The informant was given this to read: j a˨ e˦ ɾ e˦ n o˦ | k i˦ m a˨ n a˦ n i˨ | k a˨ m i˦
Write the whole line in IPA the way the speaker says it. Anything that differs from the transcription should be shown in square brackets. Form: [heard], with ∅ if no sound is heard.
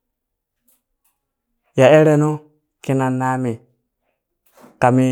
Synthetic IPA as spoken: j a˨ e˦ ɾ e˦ n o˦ | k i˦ [n] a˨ n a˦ [m] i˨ | k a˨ m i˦

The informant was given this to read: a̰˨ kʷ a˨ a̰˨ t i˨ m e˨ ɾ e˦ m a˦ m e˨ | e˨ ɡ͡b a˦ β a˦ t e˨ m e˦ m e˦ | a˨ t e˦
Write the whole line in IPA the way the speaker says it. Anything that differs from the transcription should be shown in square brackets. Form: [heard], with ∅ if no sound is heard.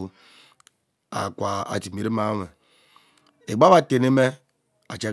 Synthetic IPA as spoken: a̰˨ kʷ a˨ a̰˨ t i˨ m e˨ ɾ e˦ m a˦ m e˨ | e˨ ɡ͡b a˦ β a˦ t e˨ [n] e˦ m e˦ | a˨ [t͡ʃ] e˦

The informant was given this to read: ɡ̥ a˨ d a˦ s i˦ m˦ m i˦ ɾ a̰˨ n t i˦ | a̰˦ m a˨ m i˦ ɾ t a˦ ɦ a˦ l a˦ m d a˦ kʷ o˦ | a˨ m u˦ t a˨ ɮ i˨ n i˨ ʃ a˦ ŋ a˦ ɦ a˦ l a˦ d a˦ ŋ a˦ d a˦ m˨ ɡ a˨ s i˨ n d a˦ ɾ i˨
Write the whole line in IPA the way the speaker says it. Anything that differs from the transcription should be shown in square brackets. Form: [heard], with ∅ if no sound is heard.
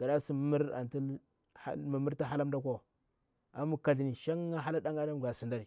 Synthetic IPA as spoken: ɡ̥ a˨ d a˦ s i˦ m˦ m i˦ ɾ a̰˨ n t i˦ | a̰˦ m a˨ m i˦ ɾ t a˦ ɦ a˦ l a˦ m d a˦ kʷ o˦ | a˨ m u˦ [k] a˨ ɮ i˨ n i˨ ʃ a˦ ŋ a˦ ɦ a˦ l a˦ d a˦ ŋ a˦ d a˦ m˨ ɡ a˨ s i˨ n d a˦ ɾ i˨

